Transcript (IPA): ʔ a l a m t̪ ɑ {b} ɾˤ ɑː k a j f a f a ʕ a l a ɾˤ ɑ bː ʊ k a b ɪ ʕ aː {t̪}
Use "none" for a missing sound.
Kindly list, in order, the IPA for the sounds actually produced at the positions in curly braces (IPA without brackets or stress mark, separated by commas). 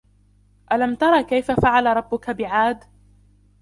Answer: none, d̪